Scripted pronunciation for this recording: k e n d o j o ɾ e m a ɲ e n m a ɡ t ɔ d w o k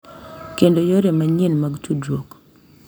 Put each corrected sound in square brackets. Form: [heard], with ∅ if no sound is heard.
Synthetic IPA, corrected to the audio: k e n d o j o ɾ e m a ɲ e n m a ɡ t [u] d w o k